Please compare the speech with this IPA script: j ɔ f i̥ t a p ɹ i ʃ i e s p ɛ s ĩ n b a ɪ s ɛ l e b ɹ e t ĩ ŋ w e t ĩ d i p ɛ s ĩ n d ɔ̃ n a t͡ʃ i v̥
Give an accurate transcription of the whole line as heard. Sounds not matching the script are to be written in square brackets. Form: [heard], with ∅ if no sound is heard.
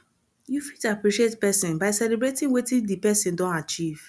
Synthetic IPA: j [u] f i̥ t a p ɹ i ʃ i e [t] p ɛ s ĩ n b a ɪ s ɛ l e b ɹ e t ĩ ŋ w e t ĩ d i p ɛ s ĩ n d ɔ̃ n a t͡ʃ i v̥